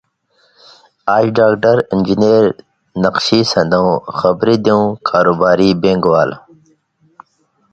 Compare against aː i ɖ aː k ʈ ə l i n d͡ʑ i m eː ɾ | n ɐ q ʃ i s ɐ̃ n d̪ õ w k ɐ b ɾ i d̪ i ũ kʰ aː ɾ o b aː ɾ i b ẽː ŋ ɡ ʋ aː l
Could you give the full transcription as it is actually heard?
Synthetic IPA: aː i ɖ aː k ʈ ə ɾ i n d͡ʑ i n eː ɾ | n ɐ q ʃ i s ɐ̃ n d̪ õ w x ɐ b ɾ i d̪ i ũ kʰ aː ɾ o b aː ɾ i b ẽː ŋ ɡ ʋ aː l